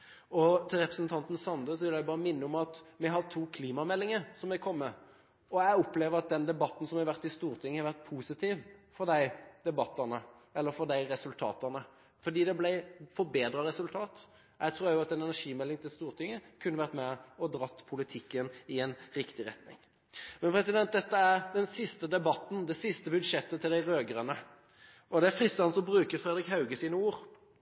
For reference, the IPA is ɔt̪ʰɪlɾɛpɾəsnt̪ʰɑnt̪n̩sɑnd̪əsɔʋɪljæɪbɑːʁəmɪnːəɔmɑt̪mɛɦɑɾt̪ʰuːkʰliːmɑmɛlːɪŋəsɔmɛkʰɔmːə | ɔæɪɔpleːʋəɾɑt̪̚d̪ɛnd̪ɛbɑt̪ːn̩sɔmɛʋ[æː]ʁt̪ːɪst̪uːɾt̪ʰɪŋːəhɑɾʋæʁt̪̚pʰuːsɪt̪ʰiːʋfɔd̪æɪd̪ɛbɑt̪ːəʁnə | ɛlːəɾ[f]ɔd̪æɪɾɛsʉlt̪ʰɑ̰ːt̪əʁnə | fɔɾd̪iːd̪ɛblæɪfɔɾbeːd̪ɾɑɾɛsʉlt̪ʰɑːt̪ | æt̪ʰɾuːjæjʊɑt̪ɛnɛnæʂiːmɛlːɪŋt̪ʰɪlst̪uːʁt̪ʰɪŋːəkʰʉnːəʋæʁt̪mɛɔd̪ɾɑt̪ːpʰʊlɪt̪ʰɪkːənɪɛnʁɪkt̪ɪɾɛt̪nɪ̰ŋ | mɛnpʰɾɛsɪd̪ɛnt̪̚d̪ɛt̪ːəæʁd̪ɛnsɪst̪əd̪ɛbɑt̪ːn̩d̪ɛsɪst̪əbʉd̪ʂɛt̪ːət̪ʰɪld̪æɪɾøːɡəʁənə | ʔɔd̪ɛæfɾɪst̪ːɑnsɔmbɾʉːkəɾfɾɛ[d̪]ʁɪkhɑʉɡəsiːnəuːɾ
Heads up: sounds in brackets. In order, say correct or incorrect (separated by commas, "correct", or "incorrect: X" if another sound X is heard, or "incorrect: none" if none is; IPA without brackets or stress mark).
incorrect: æ, correct, correct